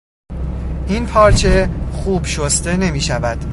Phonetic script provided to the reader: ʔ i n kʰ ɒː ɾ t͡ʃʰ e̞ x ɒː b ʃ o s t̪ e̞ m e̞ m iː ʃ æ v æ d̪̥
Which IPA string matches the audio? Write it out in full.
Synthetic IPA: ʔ i n pʰ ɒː ɾ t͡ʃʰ e̞ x uː b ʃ o s t̪ e̞ n e̞ m iː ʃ æ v æ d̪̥